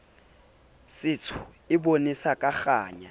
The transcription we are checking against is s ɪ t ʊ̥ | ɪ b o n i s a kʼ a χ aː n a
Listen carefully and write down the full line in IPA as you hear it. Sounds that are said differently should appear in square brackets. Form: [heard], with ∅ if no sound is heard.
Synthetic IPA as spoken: s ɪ [t͡sʰ] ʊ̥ | ɪ b o n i s a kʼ a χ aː [ɲ] a